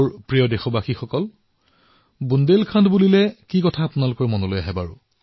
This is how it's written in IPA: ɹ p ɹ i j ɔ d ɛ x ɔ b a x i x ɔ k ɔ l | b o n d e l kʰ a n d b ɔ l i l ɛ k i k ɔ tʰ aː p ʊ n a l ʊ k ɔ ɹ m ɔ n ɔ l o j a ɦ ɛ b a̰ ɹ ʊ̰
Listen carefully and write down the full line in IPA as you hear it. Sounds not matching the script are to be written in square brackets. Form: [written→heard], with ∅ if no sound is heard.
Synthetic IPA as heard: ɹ p ɹ i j ɔ d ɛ x ɔ b a x i x ɔ k ɔ l | b [o→u] n d e l kʰ a n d b [ɔ→u] l i l ɛ k i k ɔ tʰ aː p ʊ n a l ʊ k ɔ ɹ m ɔ n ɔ l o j a ɦ ɛ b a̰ ɹ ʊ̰